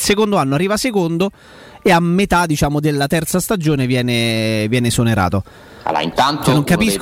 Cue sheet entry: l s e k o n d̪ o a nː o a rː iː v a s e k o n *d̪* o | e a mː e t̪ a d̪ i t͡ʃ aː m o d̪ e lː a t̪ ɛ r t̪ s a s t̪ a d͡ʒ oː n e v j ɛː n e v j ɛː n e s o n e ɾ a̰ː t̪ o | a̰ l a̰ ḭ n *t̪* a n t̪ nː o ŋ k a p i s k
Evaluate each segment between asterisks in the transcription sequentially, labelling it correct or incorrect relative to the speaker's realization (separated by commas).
correct, correct